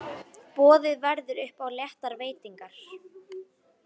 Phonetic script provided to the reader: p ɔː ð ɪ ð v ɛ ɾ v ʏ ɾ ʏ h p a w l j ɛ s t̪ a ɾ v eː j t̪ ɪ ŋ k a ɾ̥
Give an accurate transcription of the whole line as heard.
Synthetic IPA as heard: p ɔː ð ɪ ð v ɛ ɾ ð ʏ ɾ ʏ h p a w l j ɛ h t̪ a ɾ v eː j t̪ i ŋ k a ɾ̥